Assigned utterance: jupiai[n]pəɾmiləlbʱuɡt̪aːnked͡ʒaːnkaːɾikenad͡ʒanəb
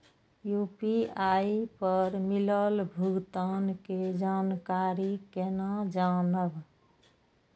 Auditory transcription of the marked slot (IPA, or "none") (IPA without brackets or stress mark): none